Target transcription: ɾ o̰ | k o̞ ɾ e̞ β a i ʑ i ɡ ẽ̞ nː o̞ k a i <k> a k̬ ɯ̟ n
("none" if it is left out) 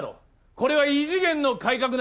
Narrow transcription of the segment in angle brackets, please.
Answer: k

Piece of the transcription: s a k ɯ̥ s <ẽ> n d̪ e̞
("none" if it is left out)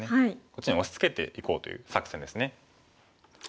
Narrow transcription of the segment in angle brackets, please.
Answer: ẽ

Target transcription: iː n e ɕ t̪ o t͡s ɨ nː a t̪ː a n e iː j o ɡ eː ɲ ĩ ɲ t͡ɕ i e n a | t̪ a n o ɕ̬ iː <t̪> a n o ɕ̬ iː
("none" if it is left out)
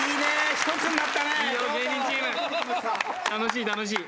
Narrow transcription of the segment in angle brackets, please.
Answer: t̪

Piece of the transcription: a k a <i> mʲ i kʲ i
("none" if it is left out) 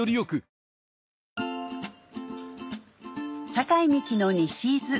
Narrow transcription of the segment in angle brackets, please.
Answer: i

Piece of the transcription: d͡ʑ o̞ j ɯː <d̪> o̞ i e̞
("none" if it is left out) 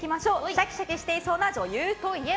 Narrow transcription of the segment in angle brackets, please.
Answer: t̪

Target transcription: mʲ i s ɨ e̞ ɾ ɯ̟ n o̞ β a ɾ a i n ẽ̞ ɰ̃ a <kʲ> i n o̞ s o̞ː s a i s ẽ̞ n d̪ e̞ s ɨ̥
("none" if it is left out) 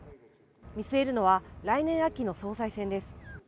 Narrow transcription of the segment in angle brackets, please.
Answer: kʲ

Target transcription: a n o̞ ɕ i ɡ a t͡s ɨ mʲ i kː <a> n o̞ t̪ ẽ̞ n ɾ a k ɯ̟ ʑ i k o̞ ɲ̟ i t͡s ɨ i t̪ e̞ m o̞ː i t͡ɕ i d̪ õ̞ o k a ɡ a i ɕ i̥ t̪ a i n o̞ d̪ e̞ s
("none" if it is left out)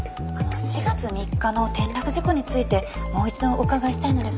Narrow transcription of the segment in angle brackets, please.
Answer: a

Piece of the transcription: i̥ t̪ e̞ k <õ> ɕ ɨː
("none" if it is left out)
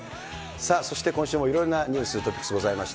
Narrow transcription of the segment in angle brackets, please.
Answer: õ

